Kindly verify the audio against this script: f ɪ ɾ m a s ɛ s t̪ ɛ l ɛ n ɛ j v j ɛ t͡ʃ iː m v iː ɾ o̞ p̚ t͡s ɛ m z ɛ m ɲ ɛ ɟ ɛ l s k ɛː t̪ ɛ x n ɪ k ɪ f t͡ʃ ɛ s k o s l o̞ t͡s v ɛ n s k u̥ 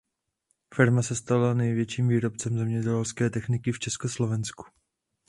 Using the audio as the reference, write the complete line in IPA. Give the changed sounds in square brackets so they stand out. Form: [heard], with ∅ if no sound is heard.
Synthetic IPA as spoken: f ɪ ɾ m a s ɛ s t̪ [a] l [a] n ɛ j v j ɛ t͡ʃ iː m v iː ɾ o̞ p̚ t͡s ɛ m z ɛ m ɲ ɛ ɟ ɛ l s k ɛː t̪ ɛ x n ɪ k ɪ f t͡ʃ ɛ s k o s l o̞ [∅] v ɛ n s k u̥